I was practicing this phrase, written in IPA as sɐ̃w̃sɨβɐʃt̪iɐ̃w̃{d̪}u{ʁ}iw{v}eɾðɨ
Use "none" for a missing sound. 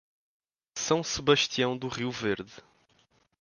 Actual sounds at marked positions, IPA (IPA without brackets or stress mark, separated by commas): d̪, ʁ, v